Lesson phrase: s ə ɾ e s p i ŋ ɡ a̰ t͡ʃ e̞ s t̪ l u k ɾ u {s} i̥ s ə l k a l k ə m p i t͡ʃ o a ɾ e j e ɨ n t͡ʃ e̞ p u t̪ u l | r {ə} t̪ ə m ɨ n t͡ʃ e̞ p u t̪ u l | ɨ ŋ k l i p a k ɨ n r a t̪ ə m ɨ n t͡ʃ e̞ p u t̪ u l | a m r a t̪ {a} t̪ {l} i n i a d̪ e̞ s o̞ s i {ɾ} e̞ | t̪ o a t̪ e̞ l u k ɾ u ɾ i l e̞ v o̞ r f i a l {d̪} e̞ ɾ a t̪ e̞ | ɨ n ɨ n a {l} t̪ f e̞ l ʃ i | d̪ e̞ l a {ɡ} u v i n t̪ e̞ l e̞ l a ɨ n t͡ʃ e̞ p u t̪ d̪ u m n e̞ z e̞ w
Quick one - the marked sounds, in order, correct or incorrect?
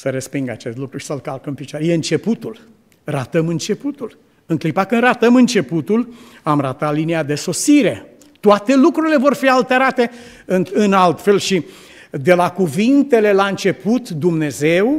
incorrect: ʃ, incorrect: a, correct, correct, correct, incorrect: t̪, correct, incorrect: k

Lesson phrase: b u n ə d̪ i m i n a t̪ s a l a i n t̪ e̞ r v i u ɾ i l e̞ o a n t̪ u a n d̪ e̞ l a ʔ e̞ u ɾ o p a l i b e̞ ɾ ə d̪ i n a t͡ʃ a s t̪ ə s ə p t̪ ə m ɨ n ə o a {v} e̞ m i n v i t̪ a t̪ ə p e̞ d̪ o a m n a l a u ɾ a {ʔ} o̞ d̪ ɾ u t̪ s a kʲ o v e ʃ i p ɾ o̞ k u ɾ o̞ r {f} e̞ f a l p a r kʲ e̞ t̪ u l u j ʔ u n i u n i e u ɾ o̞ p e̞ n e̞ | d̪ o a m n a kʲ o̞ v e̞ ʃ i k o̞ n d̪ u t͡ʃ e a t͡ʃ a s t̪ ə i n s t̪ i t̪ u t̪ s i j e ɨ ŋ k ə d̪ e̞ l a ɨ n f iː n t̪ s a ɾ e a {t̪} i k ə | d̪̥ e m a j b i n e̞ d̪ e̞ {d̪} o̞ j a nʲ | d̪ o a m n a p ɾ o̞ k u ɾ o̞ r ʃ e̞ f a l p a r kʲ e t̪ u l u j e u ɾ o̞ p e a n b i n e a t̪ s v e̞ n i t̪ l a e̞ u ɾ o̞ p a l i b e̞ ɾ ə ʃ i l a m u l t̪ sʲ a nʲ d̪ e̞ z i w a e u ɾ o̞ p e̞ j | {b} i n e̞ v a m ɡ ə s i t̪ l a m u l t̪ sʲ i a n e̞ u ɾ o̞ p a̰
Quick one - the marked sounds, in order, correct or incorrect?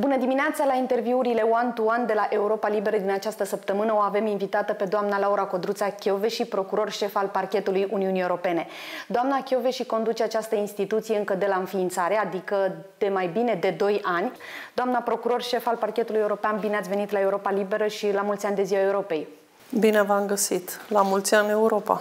correct, incorrect: k, incorrect: ʃ, incorrect: d̪, correct, correct

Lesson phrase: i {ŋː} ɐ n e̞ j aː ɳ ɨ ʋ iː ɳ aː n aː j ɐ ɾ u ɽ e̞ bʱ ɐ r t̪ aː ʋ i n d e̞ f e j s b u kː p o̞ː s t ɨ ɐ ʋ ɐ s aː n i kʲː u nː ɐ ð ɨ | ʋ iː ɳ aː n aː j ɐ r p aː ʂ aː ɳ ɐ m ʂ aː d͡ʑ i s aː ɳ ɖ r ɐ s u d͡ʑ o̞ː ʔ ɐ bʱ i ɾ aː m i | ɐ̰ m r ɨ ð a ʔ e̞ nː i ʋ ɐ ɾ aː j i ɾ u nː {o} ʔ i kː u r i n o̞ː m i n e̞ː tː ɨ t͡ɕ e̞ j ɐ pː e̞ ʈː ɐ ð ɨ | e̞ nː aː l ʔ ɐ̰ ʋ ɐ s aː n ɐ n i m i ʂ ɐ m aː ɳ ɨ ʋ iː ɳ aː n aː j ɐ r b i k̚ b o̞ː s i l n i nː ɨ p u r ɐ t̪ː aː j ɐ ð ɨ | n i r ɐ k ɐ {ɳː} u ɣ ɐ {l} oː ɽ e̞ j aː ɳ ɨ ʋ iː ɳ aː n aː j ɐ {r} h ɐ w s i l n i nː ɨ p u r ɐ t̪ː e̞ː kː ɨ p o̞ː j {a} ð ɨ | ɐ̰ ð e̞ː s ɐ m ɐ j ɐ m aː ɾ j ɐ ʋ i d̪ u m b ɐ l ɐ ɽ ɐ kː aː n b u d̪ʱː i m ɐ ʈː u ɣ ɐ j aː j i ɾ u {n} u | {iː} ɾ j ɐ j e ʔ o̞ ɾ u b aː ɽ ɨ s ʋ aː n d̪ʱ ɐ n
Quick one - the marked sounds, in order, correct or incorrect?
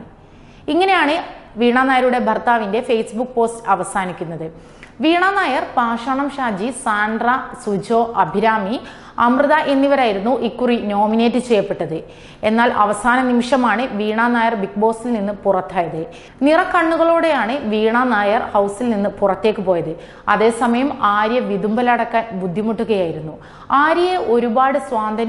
correct, incorrect: u, correct, incorrect: ɭ, correct, incorrect: ɐ, incorrect: nː, incorrect: aː

